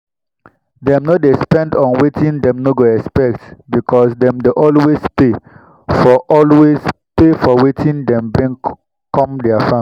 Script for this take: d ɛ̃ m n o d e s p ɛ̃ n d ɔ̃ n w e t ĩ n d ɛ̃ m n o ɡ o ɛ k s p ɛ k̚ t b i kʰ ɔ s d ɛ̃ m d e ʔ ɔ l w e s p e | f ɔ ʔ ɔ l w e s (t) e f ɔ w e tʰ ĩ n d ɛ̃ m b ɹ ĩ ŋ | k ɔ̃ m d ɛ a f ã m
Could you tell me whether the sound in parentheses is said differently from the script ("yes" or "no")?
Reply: yes